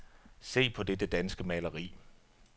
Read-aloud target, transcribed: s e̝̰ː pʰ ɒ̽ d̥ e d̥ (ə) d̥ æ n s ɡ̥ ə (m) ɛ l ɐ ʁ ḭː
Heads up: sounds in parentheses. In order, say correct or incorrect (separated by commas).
correct, correct